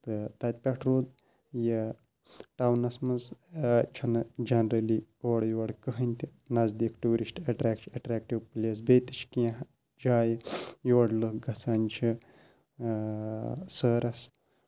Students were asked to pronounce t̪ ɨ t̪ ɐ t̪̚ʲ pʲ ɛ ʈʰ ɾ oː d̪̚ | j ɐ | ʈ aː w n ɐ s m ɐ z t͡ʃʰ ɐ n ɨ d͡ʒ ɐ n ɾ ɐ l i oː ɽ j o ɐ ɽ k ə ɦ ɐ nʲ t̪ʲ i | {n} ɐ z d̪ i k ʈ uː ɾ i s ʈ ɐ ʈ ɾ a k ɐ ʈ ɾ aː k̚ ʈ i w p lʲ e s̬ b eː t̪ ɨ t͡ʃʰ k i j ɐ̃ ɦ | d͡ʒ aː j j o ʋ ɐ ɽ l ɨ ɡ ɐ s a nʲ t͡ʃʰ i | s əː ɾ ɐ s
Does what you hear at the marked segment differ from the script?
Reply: no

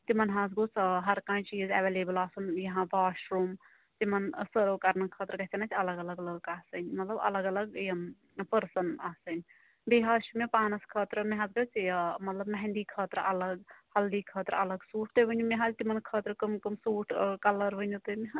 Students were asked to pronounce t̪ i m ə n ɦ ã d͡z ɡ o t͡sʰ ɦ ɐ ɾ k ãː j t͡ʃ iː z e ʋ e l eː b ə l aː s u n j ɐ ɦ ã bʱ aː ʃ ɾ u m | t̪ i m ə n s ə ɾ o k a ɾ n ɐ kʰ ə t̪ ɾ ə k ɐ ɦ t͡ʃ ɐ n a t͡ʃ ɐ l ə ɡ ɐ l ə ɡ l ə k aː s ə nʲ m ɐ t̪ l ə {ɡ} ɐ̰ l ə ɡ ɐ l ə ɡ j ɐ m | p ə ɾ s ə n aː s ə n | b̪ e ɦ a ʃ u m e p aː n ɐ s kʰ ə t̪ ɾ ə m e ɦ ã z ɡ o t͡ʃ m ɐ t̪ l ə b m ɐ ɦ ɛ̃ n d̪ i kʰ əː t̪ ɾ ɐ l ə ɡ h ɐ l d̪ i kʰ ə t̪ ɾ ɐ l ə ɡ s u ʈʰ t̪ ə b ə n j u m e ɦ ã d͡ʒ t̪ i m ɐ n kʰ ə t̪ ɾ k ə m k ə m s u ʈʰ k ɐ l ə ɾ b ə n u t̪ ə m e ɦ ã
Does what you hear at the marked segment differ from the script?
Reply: yes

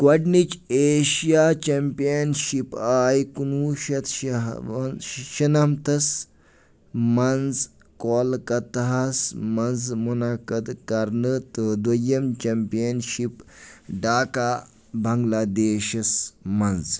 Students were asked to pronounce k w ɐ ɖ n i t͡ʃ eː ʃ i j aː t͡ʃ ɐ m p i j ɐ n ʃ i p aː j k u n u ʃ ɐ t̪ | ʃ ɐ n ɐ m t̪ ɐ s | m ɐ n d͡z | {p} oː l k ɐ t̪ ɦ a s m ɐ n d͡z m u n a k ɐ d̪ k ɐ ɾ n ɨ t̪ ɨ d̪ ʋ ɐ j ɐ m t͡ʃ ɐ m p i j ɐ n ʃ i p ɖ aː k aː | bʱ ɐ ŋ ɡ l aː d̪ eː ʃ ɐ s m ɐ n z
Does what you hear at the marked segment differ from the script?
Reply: yes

